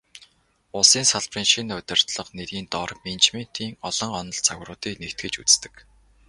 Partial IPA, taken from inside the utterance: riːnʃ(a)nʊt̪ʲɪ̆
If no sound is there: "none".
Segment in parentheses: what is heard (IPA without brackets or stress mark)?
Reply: i